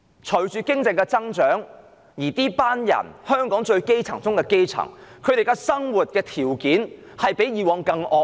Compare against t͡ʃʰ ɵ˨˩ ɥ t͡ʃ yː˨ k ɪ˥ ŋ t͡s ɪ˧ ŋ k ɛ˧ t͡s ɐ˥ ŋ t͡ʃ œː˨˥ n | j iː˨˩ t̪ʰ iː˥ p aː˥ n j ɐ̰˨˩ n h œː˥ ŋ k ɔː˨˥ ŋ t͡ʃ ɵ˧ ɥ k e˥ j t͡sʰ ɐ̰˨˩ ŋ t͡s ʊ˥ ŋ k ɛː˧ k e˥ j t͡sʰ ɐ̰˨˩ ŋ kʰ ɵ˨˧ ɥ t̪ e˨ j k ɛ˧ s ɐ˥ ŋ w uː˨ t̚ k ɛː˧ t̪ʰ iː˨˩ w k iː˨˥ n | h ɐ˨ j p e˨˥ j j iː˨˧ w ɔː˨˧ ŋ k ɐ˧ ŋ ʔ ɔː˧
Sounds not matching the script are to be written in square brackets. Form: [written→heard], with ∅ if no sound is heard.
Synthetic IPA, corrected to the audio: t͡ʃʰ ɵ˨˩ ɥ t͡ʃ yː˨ k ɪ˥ ŋ t͡s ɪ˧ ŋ k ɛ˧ t͡s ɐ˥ ŋ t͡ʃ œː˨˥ [n→ŋ] | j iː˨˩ [t̪ʰ→t̪] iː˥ p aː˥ n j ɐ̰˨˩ n h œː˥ ŋ k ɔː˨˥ ŋ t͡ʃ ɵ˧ ɥ k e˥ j t͡sʰ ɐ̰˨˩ ŋ t͡s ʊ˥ ŋ k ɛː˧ k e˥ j t͡sʰ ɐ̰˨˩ ŋ kʰ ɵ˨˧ ɥ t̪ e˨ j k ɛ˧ s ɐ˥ ŋ w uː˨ t̚ k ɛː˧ t̪ʰ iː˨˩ w k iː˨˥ n | h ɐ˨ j p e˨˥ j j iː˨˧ w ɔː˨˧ ŋ k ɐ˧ ŋ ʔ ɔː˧